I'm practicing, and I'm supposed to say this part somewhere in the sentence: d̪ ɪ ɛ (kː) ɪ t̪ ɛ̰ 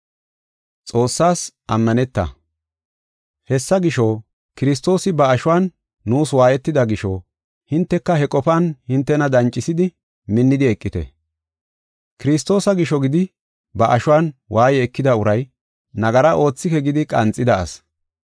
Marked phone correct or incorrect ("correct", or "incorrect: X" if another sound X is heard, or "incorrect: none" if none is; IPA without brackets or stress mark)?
incorrect: kʼː